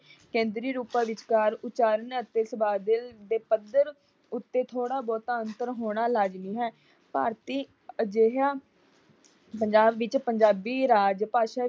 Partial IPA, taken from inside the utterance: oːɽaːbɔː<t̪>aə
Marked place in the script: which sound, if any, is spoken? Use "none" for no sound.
t̪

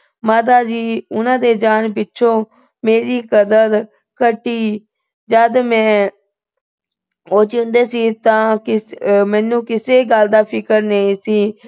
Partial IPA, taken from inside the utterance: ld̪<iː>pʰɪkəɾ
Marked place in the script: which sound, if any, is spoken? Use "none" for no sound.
aː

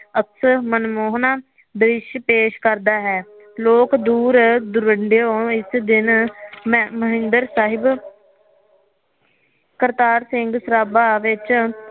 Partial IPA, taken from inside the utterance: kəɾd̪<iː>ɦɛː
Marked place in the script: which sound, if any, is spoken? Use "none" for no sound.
aː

